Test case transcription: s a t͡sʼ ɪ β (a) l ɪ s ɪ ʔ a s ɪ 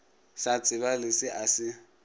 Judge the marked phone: correct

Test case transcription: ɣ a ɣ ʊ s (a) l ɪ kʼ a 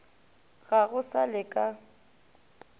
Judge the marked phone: correct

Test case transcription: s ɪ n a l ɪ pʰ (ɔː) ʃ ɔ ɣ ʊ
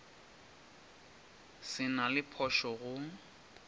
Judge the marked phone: incorrect: ɔ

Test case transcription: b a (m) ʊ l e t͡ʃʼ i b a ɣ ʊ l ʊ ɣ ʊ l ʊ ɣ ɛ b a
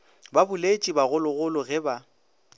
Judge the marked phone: incorrect: b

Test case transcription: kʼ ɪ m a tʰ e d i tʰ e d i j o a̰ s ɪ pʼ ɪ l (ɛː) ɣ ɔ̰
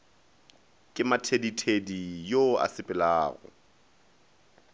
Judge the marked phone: incorrect: aː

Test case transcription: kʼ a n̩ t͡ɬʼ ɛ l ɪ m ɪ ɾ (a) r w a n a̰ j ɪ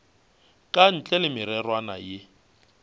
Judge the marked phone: incorrect: ɛ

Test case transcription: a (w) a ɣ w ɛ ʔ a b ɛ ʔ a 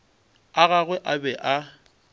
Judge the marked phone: incorrect: ɣ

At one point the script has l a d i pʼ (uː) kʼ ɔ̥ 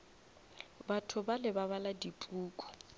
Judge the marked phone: correct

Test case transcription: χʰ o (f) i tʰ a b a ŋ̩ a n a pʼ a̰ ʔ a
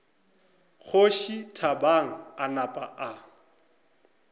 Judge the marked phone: incorrect: ʃ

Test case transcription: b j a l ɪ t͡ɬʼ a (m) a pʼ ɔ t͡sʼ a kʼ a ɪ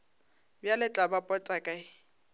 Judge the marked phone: incorrect: b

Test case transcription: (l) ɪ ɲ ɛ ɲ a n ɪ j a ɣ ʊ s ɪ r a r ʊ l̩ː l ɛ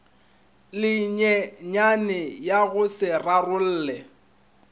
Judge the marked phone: correct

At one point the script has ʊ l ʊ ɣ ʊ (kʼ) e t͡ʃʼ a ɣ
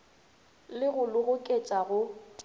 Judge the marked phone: correct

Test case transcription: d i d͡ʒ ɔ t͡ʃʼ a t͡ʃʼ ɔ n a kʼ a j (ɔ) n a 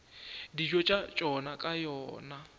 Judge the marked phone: incorrect: ɔː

